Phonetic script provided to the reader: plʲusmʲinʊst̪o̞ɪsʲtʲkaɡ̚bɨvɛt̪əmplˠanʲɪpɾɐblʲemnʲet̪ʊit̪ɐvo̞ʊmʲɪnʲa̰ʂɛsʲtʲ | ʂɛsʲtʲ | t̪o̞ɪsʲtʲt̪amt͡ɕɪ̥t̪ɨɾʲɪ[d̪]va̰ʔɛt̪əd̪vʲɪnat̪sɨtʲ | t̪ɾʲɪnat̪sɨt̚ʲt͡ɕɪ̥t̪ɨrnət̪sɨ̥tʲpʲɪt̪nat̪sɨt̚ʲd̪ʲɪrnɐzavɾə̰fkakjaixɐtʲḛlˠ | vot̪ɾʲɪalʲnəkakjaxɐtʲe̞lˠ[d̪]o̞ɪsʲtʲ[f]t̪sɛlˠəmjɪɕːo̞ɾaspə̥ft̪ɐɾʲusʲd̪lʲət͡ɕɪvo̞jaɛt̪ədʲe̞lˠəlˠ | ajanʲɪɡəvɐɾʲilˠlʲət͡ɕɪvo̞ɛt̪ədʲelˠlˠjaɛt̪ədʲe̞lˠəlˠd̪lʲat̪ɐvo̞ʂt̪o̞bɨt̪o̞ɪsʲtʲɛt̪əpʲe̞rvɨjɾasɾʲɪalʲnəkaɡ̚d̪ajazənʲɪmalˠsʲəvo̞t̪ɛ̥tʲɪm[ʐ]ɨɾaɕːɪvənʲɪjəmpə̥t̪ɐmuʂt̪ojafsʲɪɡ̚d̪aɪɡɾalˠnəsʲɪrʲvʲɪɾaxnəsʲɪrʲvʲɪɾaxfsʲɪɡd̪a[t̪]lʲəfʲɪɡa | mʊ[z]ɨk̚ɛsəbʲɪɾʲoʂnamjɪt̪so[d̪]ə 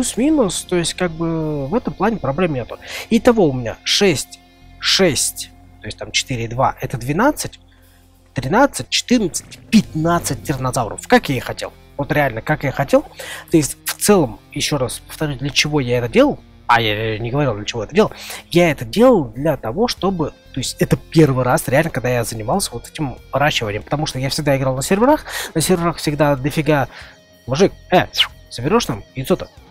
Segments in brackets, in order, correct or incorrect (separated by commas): correct, incorrect, correct, incorrect, incorrect, incorrect, incorrect